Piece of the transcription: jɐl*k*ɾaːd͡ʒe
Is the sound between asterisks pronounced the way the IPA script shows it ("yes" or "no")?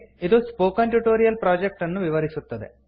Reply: no